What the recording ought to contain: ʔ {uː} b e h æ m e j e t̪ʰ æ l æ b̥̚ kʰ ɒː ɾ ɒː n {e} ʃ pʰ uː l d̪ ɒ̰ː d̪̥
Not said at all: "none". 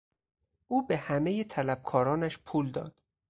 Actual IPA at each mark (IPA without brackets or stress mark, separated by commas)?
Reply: uː, æ